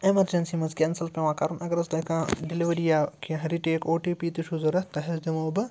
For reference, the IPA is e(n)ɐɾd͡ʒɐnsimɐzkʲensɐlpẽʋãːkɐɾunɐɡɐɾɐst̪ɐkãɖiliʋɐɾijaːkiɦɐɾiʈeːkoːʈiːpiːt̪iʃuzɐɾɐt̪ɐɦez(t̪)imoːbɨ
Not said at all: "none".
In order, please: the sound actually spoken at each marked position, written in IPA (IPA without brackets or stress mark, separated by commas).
m, d̪